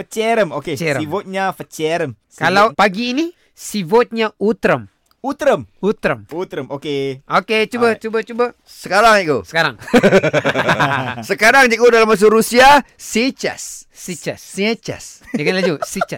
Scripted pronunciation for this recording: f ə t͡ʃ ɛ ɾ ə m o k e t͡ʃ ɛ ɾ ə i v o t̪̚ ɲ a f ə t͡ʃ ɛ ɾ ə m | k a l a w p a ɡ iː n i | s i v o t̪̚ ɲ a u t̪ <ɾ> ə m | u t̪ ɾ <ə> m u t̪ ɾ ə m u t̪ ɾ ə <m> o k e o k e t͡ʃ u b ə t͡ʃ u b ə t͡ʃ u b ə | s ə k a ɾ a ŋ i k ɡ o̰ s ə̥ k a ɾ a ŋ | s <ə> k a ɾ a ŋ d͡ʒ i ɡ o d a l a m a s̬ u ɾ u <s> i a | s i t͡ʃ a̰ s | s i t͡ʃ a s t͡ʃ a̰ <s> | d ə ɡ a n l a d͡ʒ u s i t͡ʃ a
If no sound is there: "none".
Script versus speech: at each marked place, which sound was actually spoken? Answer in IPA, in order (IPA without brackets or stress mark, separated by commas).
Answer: ɾ, ə, m, ə, s, s